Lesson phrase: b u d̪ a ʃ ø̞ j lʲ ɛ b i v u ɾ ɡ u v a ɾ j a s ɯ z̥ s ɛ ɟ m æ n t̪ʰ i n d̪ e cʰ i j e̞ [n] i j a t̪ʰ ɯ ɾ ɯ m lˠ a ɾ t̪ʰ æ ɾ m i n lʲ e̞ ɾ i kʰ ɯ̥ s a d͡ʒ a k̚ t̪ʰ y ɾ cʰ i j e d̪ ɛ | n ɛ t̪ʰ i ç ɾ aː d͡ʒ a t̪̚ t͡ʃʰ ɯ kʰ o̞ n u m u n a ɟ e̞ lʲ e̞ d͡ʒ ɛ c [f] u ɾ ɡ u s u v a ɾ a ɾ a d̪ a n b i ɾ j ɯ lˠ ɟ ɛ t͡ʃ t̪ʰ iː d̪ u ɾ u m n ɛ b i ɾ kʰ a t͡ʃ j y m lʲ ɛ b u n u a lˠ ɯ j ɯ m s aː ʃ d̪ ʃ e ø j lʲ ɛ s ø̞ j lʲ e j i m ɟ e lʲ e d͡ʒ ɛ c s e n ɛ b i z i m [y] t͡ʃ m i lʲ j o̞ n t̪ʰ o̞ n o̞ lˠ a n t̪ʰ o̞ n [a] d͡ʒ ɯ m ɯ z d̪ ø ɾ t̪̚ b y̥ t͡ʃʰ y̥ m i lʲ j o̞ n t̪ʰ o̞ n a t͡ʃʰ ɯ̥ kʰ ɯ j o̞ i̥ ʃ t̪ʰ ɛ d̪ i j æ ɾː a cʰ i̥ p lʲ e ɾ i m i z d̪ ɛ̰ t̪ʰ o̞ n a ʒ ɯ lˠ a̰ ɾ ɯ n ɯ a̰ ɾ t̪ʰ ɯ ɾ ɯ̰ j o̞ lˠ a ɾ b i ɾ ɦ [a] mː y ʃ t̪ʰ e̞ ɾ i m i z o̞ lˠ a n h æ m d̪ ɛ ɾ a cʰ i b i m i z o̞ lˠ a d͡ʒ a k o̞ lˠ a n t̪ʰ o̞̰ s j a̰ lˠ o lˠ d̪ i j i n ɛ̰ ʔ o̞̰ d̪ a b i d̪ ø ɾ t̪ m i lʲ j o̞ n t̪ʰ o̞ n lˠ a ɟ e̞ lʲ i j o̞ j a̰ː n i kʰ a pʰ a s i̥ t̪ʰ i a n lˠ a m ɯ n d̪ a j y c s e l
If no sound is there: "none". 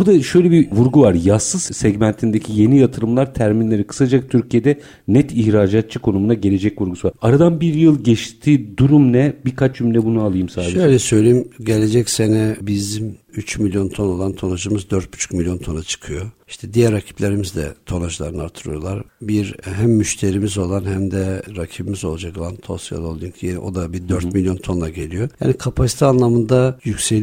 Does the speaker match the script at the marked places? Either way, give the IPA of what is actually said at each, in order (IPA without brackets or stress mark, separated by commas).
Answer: n, v, y, a, æ